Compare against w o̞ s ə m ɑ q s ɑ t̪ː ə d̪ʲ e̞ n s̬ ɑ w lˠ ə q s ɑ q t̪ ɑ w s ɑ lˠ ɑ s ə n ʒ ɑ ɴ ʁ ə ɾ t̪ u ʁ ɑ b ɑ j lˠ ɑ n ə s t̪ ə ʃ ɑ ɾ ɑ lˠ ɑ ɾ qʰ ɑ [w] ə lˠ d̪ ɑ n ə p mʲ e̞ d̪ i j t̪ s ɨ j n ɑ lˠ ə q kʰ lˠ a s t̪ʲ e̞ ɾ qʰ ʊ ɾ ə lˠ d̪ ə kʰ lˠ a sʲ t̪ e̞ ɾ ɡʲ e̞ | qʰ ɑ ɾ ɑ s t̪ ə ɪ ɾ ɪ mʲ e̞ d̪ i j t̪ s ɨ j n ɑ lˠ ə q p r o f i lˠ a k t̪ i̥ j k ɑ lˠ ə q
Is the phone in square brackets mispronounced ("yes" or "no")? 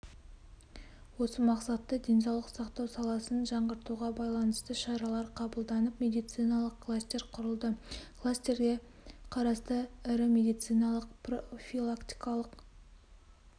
yes